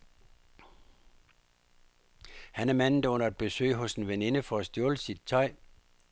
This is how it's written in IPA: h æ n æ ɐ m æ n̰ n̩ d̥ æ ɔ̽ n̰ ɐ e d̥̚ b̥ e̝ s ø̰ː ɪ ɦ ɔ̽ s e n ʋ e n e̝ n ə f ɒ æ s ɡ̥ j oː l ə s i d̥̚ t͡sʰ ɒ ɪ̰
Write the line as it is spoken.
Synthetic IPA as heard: h æ n æ ɐ m æ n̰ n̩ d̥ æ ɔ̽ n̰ ɐ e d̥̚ b̥ e̝ s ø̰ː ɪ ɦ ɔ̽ s e n ʋ e n e̝ n ə f ɒ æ s d̥ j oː l ə s i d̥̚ t͡sʰ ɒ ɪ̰